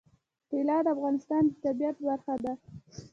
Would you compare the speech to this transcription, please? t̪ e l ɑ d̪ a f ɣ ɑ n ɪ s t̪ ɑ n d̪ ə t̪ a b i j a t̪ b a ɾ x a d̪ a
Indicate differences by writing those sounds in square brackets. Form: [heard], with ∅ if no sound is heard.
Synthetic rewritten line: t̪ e l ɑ d̪ a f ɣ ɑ n ɪ s t̪ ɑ n d̪ ə t̪ a b i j a t̪ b a ɾ x a d̪ a